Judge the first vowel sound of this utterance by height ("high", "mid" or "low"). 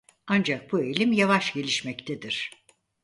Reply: low